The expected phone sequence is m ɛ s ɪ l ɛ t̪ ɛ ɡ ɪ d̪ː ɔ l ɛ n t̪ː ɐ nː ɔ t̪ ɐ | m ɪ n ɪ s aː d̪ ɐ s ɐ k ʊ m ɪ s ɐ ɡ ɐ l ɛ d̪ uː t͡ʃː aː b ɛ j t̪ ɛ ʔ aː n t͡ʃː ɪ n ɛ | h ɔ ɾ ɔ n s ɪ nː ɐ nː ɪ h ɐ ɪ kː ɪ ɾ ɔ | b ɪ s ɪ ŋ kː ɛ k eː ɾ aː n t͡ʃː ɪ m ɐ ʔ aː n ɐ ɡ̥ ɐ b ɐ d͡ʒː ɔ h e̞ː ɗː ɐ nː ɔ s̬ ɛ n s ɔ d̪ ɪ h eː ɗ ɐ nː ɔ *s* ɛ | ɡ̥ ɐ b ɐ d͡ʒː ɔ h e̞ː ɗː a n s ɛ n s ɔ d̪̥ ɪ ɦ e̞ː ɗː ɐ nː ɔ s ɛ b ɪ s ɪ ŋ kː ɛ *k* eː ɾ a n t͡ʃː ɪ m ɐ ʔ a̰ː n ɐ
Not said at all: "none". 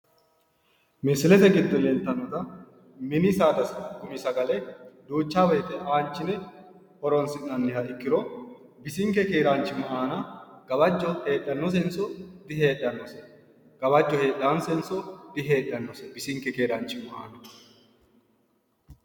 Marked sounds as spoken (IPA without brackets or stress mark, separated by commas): s, k